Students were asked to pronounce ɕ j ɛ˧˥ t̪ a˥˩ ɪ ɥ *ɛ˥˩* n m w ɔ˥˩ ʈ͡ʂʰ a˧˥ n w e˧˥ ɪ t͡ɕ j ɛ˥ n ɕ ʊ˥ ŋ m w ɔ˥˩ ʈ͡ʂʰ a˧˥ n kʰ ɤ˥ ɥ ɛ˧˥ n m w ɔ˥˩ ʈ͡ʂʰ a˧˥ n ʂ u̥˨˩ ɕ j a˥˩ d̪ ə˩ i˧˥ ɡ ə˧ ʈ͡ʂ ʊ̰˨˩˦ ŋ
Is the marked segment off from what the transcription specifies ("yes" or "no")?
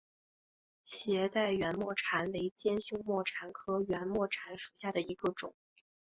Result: yes